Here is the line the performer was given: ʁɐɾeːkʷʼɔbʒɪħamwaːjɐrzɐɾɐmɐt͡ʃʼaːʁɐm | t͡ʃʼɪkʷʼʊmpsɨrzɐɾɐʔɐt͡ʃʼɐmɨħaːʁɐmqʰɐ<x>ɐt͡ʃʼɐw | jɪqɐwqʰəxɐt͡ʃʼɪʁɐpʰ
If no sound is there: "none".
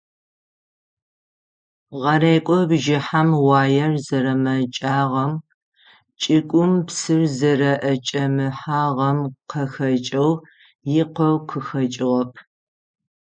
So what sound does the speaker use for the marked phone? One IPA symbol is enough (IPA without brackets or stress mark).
x